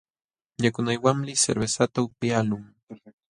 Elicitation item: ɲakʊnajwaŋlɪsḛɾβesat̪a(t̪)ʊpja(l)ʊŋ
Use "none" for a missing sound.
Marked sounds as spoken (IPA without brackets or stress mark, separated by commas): none, l